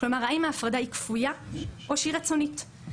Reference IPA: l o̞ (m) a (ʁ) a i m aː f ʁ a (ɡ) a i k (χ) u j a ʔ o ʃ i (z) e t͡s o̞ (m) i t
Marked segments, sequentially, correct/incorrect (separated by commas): correct, correct, incorrect, incorrect, incorrect, incorrect